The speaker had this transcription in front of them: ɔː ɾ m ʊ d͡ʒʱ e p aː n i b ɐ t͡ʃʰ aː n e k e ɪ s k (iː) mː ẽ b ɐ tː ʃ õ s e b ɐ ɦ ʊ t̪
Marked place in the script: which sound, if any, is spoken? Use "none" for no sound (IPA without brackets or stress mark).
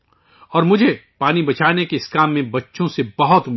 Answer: aː